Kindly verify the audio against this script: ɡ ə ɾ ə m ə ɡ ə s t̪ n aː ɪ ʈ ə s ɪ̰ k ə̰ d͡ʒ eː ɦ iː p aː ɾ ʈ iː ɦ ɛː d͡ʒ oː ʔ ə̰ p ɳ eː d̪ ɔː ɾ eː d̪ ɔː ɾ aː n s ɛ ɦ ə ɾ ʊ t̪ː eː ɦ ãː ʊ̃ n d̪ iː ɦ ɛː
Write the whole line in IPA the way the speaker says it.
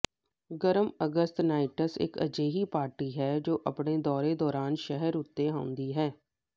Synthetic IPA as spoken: ɡ ə ɾ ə m ə ɡ ə s t̪ n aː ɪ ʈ ə s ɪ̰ k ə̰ d͡ʒ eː ɦ iː p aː ɾ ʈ iː ɦ ɛː d͡ʒ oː ʔ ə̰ p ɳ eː d̪ ɔː ɾ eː d̪ ɔː ɾ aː n ʃ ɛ ɦ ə ɾ ʊ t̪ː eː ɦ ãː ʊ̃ n d̪ iː ɦ ɛː